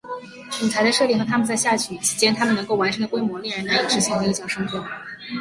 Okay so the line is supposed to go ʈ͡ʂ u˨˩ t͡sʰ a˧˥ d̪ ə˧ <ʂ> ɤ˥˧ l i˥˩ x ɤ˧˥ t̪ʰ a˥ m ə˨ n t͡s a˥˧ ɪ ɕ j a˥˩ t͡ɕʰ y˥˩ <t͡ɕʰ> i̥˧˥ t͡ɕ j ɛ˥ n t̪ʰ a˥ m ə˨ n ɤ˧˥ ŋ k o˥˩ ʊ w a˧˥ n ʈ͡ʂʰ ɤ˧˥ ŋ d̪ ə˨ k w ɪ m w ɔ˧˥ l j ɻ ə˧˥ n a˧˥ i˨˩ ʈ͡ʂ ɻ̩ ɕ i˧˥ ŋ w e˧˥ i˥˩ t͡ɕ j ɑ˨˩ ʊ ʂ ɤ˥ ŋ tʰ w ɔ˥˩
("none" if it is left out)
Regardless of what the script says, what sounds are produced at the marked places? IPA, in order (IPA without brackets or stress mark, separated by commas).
ʂ, t͡ɕʰ